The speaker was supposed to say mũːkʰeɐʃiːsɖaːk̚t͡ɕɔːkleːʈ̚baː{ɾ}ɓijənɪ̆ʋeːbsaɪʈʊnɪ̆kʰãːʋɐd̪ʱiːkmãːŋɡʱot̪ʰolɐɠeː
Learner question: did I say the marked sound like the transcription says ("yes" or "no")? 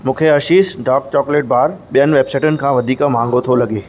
yes